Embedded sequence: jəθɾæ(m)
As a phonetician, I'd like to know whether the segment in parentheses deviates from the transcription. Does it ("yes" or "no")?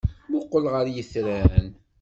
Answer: yes